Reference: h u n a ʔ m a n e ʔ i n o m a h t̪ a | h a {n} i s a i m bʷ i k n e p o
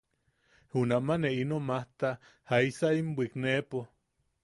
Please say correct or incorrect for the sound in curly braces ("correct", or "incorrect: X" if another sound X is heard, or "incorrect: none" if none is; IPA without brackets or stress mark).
incorrect: none